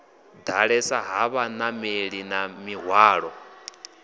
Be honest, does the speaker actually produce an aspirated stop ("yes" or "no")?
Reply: no